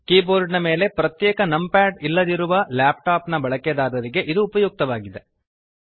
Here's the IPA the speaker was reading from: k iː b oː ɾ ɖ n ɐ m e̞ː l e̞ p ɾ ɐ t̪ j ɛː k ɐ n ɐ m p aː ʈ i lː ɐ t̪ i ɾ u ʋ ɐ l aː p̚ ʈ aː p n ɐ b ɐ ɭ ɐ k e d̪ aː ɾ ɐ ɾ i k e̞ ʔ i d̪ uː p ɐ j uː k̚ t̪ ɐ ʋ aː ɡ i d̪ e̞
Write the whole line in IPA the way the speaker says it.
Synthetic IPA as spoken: k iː b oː ɾ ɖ n ɐ m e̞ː l e̞ p ɾ ɐ t̪ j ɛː k ɐ n ɐ m p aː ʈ i lː ɐ d̪ i ɾ u ʋ ɐ l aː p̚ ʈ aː p n ɐ b ɐ ɭ ɐ k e d̪ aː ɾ ɐ ɾ i ɡ e̞ ʔ i d̪ uː p ɐ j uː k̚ t̪ ɐ ʋ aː ɡ i d̪ e̞